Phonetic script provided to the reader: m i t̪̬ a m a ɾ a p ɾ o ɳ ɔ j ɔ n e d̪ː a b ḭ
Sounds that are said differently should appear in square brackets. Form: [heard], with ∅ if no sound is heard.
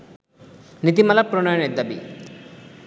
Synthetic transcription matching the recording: [n] i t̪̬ [i] m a [l] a p ɾ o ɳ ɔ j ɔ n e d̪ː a b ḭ